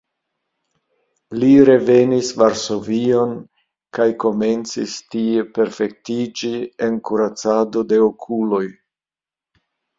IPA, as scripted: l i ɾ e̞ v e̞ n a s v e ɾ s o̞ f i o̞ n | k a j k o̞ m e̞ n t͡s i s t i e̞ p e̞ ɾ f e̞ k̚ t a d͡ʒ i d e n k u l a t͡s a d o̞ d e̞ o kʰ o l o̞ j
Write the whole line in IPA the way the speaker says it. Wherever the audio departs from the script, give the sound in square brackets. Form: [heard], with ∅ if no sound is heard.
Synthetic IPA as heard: l i ɾ e̞ v e̞ n [i] s v [a] ɾ s o̞ [v] i o̞ n | k a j k o̞ m e̞ n t͡s i s t i e̞ p e̞ ɾ f e̞ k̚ t [i] d͡ʒ i [∅] e n k u [ɾ] a t͡s a d o̞ d e̞ o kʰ [u] l o̞ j